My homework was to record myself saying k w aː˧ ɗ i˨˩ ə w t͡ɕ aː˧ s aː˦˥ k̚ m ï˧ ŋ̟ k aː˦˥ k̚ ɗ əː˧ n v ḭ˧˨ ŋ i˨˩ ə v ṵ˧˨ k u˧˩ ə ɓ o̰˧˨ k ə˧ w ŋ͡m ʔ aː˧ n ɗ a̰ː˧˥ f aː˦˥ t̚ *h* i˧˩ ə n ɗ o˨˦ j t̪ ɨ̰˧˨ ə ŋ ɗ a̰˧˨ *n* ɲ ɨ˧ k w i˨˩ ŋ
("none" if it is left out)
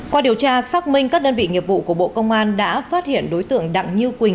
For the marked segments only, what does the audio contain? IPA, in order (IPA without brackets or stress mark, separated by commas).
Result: h, ŋ